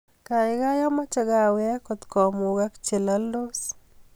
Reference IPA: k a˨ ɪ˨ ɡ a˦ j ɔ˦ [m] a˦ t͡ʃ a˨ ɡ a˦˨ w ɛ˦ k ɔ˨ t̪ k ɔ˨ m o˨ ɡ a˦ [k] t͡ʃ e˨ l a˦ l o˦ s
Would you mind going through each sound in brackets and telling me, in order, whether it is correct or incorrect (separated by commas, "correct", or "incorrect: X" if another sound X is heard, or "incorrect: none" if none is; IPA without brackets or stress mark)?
correct, correct